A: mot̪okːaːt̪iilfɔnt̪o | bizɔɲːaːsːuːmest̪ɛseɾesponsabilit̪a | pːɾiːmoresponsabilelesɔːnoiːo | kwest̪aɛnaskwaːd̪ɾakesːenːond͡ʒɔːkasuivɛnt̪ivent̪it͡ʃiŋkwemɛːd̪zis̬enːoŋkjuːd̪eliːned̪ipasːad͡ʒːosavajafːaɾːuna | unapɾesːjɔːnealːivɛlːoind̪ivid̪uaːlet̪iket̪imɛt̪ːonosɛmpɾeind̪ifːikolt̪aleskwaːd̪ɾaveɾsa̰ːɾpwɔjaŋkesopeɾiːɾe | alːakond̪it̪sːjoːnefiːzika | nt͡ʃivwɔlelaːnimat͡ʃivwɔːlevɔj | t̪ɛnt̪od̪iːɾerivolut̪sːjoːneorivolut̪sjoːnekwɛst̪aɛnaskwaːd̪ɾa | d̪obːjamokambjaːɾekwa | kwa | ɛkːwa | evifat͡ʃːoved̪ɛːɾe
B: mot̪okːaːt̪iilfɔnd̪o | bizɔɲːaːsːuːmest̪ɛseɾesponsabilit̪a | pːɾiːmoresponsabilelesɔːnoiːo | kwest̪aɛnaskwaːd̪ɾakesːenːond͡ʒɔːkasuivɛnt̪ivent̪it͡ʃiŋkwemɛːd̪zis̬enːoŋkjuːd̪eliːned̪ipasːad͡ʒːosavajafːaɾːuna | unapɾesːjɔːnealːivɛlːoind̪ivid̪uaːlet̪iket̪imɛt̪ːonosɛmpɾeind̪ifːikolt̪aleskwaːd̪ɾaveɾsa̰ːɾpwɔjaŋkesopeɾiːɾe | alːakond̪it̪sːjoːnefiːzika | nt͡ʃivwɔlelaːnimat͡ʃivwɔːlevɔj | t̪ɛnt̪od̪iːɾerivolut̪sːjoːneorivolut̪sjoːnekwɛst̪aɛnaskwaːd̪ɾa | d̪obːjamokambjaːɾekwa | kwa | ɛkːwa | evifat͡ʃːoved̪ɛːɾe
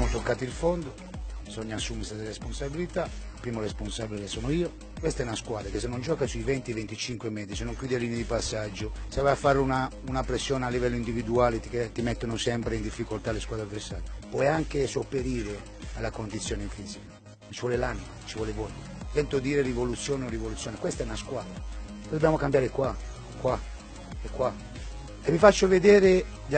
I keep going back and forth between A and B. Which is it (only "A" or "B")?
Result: B